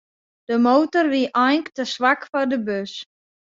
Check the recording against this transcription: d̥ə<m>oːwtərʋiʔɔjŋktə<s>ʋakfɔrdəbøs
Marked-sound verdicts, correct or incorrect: correct, correct

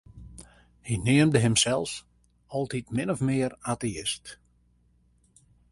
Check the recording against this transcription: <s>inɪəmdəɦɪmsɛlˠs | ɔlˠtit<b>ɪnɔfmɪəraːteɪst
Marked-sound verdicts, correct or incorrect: incorrect: h, incorrect: m

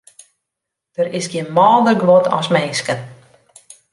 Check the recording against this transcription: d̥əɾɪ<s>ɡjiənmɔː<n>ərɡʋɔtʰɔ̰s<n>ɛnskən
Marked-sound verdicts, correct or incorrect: correct, incorrect: d, incorrect: m

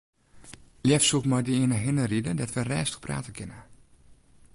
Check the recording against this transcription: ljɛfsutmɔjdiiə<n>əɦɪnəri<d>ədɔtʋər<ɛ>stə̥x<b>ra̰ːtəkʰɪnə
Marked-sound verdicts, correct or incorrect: correct, correct, incorrect: ɛː, incorrect: p

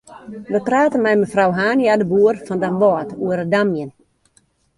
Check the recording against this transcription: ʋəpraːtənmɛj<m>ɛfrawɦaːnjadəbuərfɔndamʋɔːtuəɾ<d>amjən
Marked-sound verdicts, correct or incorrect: correct, correct

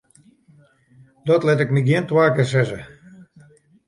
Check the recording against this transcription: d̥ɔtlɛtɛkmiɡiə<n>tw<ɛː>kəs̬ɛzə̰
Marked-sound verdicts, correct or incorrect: correct, incorrect: aː

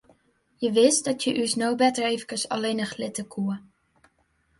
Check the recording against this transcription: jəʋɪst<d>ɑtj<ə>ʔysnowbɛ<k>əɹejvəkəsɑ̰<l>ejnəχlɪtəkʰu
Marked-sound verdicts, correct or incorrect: correct, correct, incorrect: t, correct

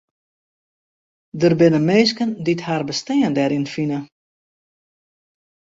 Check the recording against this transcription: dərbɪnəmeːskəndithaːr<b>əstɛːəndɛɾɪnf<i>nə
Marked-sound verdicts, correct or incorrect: correct, correct

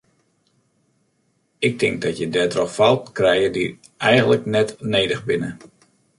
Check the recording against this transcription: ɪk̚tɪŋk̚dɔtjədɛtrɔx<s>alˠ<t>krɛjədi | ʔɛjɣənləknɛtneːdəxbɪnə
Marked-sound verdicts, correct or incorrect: incorrect: f, correct

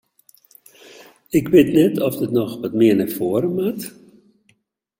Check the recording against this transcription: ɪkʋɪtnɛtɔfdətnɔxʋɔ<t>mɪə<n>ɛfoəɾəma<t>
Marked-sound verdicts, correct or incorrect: correct, correct, correct

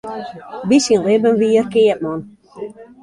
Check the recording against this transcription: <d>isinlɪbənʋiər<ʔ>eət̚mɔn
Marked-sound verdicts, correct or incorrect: incorrect: b, incorrect: k

